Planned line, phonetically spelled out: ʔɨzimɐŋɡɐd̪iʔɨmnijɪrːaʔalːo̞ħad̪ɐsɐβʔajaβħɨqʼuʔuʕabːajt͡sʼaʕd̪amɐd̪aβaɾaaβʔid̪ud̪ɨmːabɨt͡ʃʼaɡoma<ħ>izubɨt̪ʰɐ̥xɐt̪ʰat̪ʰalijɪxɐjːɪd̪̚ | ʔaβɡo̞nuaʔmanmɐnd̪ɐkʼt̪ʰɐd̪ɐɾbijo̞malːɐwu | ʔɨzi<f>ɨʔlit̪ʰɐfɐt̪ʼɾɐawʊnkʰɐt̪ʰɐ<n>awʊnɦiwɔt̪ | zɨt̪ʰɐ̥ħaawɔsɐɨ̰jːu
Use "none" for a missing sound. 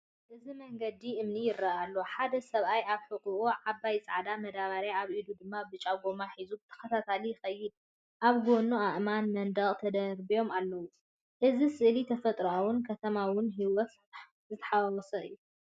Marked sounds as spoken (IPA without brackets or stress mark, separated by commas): ħ, s, m